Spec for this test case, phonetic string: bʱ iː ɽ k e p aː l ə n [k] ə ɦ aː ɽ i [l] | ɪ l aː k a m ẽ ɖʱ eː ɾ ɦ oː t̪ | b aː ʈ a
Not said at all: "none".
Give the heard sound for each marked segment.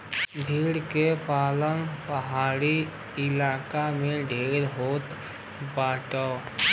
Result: p, none

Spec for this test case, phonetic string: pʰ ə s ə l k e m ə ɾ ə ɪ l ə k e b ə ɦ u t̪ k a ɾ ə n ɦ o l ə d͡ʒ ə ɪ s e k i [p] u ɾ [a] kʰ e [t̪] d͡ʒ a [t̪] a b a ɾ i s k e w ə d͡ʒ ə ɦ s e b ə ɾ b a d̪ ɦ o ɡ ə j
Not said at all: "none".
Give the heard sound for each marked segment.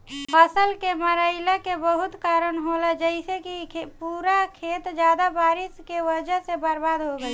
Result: p, a, t̪, d̪

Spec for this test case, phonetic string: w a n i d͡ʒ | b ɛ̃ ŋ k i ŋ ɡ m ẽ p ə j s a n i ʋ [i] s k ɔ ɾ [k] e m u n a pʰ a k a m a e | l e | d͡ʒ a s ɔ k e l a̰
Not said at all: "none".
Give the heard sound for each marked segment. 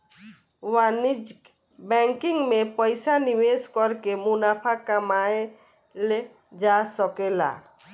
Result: e, k

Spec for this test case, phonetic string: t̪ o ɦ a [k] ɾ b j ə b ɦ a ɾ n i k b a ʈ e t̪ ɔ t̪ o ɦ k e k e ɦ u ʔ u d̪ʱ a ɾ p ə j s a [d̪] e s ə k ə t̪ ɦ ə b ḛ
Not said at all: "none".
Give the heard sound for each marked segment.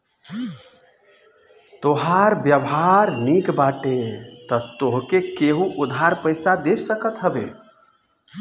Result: none, d̪

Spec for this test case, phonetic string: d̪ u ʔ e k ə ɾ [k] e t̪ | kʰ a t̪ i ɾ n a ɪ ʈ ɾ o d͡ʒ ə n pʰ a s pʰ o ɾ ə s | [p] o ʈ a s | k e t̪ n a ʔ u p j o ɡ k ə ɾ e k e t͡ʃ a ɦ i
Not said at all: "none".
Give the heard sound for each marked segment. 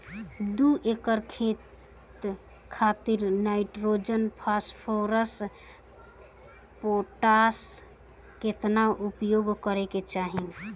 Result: kʰ, p

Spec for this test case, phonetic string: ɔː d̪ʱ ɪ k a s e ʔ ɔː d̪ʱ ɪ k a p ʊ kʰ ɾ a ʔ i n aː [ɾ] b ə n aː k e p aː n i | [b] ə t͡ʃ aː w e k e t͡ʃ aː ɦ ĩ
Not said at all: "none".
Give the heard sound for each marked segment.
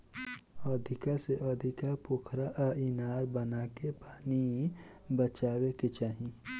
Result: ɾ, b

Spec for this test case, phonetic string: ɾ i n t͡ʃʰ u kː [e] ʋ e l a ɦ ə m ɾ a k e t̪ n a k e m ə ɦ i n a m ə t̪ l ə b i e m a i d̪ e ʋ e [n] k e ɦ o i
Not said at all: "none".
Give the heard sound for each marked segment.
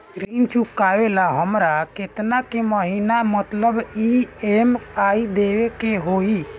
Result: a, none

